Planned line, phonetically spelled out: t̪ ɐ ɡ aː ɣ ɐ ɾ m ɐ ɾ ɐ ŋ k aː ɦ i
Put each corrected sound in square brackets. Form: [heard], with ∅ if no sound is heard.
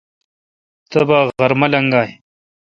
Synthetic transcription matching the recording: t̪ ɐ [b] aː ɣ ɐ ɾ m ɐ [l] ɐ ŋ [ɡ] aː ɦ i